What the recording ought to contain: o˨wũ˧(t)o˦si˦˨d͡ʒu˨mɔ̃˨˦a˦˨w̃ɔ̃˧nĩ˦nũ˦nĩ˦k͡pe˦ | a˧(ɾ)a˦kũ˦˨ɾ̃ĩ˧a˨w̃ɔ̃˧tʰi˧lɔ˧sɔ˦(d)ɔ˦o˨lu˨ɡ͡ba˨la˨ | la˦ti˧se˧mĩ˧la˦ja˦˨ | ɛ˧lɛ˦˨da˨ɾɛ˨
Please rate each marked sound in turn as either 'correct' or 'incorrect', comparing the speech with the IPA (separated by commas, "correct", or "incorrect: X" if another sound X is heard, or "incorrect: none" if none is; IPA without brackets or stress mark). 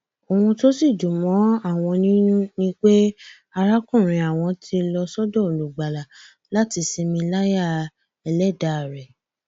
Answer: correct, correct, correct